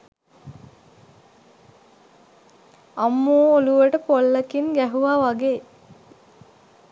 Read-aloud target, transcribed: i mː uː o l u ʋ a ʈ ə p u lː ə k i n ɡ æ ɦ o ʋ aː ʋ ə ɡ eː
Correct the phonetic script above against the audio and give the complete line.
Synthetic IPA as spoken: a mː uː o l u ʋ ə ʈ ə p o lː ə k i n ɡ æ ɦ u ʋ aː ʋ a ɡ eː